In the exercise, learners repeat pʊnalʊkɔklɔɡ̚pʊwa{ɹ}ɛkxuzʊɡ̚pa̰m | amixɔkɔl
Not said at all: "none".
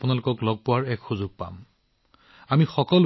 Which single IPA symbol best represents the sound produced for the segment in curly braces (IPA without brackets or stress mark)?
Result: ɹ